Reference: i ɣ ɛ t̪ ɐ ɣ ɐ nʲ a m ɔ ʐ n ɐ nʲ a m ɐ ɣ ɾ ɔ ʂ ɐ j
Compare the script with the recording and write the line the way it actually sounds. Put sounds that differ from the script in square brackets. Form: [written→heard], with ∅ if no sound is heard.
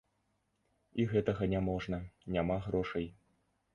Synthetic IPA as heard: i ɣ ɛ t̪ ɐ ɣ ɐ nʲ a m ɔ ʐ n ɐ nʲ a m [ɐ→a] ɣ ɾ ɔ ʂ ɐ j